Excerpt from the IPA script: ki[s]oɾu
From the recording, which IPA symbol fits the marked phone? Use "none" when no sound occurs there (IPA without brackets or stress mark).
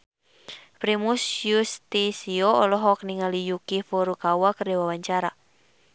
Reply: f